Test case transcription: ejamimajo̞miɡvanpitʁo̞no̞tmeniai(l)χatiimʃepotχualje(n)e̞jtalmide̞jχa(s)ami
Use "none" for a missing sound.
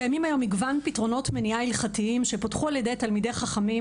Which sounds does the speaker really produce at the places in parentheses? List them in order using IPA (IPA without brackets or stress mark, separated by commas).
l, d, χ